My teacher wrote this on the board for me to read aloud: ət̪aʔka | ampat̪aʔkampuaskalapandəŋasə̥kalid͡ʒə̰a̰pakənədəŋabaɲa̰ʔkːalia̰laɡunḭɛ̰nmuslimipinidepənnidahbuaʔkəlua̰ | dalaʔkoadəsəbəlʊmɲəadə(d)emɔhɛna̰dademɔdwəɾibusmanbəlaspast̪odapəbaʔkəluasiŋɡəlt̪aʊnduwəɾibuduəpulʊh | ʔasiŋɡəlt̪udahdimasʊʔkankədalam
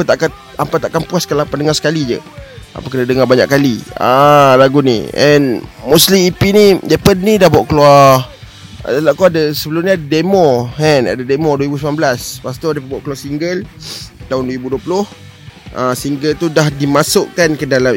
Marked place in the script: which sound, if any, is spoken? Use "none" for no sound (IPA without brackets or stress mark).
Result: d